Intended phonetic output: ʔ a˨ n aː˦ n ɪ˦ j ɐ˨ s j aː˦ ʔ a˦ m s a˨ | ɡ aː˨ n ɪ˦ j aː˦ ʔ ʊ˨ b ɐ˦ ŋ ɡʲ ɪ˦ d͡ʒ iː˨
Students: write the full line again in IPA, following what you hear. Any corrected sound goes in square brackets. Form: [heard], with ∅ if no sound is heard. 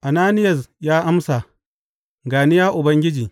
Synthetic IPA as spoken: ʔ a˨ n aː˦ n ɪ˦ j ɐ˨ s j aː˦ ʔ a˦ m s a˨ | ɡ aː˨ n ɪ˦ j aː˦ ʔ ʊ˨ b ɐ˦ ŋ ɡʲ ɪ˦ d͡ʒ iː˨